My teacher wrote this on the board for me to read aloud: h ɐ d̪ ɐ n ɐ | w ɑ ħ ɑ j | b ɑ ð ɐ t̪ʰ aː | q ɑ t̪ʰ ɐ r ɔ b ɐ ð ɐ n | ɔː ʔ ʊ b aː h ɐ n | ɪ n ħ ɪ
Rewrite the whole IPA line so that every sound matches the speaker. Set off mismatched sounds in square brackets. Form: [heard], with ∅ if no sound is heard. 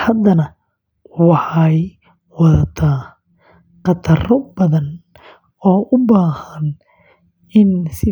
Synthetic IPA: h ɐ d̪ ɐ n ɐ | w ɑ ħ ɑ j | [w] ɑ ð ɐ t̪ʰ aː | q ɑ t̪ʰ ɐ r ɔ b ɐ ð ɐ n | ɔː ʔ ʊ b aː h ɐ n | ɪ n [s] ɪ